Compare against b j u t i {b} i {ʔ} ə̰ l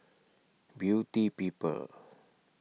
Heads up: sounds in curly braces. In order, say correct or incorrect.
incorrect: p, incorrect: p

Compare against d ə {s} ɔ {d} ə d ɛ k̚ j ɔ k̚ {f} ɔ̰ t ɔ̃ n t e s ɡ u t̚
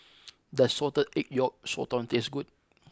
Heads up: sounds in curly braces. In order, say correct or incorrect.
correct, incorrect: t, incorrect: s

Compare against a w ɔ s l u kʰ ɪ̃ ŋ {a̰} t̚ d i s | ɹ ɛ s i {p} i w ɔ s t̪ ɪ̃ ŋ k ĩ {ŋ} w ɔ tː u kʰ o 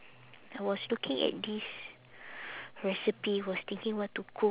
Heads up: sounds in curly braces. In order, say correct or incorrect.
incorrect: ɛ̰, correct, correct

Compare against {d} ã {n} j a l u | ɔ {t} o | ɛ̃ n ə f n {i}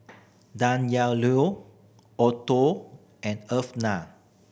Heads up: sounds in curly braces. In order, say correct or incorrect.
correct, correct, correct, incorrect: a

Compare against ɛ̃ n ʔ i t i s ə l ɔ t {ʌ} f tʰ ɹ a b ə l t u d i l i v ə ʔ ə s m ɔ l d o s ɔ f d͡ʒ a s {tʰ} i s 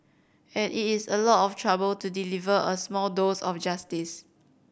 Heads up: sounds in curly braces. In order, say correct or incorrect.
incorrect: ɔ, incorrect: t

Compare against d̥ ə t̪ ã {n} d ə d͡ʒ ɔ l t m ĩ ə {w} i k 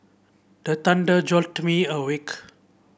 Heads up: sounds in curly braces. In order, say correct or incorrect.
correct, correct

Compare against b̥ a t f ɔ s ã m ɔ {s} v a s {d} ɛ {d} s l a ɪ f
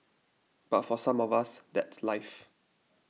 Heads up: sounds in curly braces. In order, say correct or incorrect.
incorrect: none, correct, incorrect: t

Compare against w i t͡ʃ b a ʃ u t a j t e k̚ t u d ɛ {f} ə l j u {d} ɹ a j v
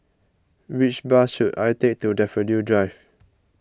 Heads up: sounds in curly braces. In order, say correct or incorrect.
correct, correct

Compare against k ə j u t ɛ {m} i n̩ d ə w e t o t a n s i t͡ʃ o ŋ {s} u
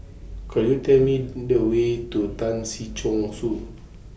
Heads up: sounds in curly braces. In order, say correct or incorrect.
correct, correct

